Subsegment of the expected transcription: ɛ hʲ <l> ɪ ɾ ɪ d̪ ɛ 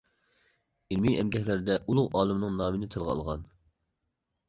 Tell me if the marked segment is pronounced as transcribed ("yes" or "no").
yes